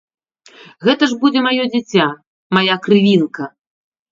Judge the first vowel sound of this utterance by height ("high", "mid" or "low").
mid